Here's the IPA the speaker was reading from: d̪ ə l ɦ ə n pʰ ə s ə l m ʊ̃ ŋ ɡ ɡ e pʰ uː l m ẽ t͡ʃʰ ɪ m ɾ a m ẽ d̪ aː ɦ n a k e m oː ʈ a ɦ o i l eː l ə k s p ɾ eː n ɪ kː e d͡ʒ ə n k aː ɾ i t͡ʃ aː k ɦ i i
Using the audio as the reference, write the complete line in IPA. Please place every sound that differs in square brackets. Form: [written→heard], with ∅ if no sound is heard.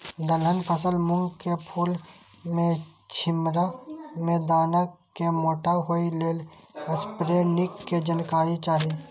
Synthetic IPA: d̪ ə l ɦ ə n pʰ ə s ə l m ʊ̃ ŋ ɡ [ɡ→k] e pʰ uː l m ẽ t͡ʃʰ ɪ m ɾ a m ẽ d̪ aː [ɦ→∅] n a k e m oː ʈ a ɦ o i l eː l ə [k→∅] s p ɾ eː n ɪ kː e d͡ʒ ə n k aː ɾ i t͡ʃ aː [k→∅] ɦ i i

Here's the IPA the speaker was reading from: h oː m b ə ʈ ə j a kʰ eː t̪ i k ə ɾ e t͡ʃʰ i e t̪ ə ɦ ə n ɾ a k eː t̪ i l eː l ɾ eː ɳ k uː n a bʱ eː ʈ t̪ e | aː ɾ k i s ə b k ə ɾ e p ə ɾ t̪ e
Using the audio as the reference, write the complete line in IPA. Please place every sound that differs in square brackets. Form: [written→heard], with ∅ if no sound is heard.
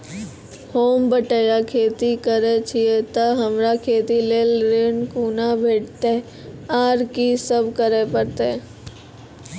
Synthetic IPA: h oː m b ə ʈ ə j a kʰ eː t̪ i k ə ɾ e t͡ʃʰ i e t̪ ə ɦ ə [n→m] ɾ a [k→kʰ] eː t̪ i l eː l ɾ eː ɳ k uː n a bʱ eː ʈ t̪ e | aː ɾ k i s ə b k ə ɾ e p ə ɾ t̪ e

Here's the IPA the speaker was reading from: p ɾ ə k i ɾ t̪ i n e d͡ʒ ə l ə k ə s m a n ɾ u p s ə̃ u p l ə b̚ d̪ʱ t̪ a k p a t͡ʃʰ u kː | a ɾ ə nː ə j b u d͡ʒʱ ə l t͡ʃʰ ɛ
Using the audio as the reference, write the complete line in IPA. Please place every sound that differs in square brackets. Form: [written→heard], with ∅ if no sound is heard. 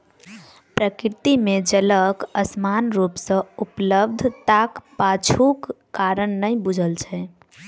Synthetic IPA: p ɾ ə k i ɾ t̪ i [n→m] e d͡ʒ ə l ə k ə s m a n ɾ u p s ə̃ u p l ə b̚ d̪ʱ t̪ a k p a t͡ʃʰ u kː | a ɾ ə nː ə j b u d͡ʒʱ ə l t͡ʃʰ ɛ

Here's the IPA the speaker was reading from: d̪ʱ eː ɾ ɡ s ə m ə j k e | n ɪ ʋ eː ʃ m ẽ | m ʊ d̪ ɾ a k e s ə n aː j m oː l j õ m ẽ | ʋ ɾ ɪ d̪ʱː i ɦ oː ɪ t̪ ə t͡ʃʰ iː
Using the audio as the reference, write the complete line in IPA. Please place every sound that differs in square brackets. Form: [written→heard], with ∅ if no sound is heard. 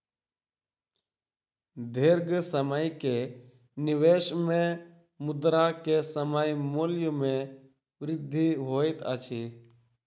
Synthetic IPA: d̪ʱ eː ɾ ɡ s ə m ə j k e | n ɪ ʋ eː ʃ m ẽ | m ʊ d̪ ɾ a k e s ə [n→m] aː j m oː l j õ m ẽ | ʋ ɾ ɪ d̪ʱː i ɦ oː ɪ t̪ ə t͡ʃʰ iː

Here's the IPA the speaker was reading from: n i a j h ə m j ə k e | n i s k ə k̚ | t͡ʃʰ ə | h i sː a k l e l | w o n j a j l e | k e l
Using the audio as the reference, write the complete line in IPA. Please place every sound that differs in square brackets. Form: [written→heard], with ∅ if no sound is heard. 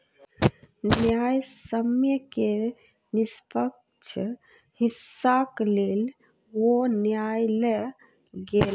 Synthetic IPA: n [i→j] a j [h→s] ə m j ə k e | n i s [k→p] ə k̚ | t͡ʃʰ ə | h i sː a k l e l | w o n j a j l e | [k→ɡ] e l

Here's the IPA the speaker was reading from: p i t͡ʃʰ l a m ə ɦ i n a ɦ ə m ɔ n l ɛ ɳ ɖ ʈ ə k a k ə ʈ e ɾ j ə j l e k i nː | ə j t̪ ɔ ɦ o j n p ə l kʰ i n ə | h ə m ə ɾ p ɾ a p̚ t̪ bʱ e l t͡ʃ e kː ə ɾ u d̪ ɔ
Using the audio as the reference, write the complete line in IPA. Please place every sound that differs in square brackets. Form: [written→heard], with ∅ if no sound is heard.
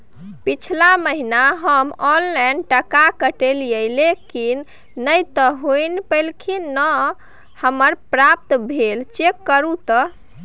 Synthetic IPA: p i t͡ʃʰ l a m ə ɦ i n a ɦ ə m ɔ n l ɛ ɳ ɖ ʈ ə k a k ə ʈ e [ɾ→l] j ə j l e k i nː | ə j t̪ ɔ ɦ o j n p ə l kʰ i n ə | h ə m ə ɾ p ɾ a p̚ t̪ bʱ e l t͡ʃ e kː ə ɾ u [d̪→t̪] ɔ

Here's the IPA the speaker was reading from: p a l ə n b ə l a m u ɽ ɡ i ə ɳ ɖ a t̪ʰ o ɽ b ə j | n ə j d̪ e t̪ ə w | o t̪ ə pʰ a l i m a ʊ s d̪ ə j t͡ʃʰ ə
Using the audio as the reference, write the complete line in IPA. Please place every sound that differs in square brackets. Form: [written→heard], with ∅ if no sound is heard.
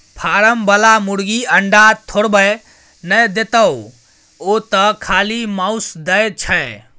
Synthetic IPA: [p→pʰ] a [l→ɾ] ə [n→m] b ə l a m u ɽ ɡ i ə ɳ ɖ a t̪ʰ o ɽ b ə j | n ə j d̪ e t̪ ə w | o t̪ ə [pʰ→kʰ] a l i m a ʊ s d̪ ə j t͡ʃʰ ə

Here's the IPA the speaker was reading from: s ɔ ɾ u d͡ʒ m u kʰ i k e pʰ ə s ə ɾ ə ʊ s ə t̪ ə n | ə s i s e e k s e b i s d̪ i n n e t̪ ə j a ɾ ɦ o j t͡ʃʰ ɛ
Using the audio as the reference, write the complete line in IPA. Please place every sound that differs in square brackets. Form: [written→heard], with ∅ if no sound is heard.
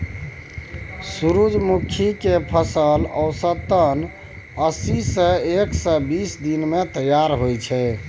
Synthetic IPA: s [ɔ→u] ɾ u d͡ʒ m u kʰ i k e pʰ ə s ə [ɾ→l] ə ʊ s ə t̪ ə n | ə s i s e e k s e b i s d̪ i n [n→m] e t̪ ə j a ɾ ɦ o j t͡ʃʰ ɛ

